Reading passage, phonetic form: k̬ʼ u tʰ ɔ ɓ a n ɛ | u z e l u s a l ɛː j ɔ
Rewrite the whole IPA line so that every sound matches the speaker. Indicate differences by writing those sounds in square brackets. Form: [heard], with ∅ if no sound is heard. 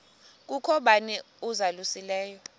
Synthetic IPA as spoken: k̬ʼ u [kʰ] ɔ ɓ a n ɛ | u z [a] l u s [i] l ɛː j ɔ